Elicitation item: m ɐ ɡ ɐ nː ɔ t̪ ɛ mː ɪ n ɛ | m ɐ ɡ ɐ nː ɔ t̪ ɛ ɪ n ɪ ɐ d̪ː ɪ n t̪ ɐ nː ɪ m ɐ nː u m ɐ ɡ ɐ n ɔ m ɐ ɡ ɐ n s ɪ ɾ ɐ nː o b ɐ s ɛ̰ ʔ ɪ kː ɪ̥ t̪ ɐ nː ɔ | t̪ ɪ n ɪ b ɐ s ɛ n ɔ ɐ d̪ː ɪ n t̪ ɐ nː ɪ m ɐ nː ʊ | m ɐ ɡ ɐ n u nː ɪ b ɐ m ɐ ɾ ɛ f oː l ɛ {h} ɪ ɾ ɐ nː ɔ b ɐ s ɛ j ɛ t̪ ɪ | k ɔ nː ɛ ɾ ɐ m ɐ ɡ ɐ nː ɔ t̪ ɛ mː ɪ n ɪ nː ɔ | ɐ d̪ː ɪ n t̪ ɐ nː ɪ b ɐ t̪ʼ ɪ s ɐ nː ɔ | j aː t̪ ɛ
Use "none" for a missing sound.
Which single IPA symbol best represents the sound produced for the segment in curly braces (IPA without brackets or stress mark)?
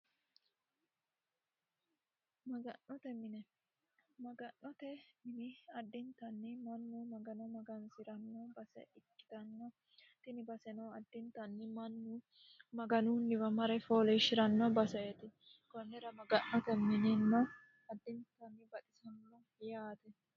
ʃ